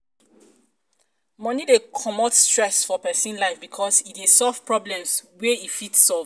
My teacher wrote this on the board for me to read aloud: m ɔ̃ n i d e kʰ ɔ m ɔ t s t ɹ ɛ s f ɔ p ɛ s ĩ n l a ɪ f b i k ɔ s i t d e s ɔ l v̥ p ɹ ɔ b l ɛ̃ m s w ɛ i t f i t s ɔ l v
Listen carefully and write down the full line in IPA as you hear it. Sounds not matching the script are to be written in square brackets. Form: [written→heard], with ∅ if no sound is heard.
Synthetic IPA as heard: m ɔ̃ n i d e kʰ ɔ m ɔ t s t ɹ ɛ s f ɔ p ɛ s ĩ n l a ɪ f b i [k→kʰ] ɔ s i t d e s ɔ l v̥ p ɹ ɔ b l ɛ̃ m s w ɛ i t f i t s ɔ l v